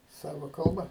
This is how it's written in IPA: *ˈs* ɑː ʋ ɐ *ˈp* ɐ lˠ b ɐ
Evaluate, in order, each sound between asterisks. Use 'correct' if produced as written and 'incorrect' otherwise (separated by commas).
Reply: correct, incorrect